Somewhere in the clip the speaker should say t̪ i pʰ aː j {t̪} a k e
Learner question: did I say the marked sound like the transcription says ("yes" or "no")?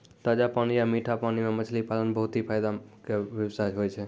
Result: no